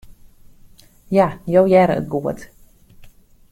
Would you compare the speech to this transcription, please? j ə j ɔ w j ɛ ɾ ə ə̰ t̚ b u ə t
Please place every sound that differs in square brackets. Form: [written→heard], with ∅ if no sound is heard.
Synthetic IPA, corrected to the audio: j [ə→a] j [ɔ→o] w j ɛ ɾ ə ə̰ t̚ [b→ɡ] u ə t